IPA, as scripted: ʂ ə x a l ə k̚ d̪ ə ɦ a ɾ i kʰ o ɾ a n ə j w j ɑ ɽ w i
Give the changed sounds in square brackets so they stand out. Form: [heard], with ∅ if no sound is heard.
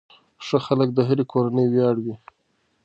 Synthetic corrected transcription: ʂ ə x a l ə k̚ d̪ ə ɦ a ɾ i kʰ o ɾ a n ə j w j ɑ ɽ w i